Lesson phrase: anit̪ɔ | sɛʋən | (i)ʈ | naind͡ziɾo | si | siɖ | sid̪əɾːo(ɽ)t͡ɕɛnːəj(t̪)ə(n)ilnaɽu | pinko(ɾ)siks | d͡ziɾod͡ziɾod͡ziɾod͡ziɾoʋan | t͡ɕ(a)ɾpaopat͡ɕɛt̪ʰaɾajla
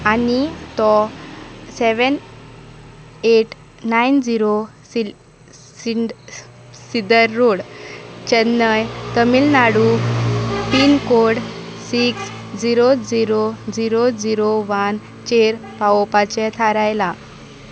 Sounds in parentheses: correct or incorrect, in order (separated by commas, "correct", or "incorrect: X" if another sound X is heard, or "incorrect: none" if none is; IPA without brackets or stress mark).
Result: incorrect: e, correct, correct, incorrect: m, incorrect: ɽ, incorrect: e